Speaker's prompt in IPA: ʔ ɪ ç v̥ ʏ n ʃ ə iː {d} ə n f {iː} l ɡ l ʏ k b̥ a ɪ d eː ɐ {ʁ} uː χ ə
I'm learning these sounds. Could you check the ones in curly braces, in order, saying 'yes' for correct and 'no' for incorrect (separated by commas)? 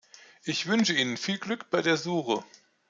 no, yes, no